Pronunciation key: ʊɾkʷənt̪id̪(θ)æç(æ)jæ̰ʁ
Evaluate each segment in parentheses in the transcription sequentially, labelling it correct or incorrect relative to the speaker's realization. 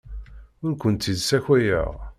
incorrect: s, correct

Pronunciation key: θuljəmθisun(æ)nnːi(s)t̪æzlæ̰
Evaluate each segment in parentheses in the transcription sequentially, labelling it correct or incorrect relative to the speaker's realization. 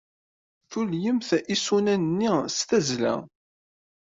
correct, correct

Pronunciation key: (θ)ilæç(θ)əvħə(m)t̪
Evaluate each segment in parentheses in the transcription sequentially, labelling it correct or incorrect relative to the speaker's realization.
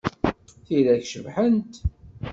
correct, incorrect: ʃ, incorrect: n

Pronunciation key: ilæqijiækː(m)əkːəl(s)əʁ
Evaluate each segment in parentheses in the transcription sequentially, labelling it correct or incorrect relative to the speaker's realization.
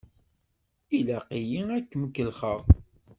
correct, incorrect: χ

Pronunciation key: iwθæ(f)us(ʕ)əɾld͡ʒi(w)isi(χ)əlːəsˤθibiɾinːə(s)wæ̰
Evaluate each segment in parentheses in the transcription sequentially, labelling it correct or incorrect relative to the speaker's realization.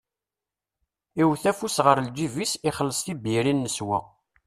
correct, incorrect: ʁ, incorrect: v, correct, correct

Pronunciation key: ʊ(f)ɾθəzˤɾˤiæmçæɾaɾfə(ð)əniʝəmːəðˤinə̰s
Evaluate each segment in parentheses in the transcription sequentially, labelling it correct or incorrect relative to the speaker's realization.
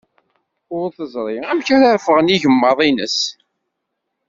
incorrect: none, incorrect: ʁ

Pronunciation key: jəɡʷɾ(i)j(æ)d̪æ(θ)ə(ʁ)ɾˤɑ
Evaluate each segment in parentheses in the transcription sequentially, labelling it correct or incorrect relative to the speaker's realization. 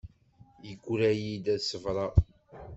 incorrect: æ, incorrect: i, incorrect: s, incorrect: v

